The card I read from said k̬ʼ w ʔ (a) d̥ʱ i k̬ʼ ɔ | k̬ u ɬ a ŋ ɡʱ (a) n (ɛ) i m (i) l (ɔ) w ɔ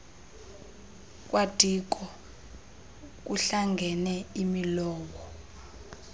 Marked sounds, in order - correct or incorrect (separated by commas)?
correct, incorrect, correct, correct, incorrect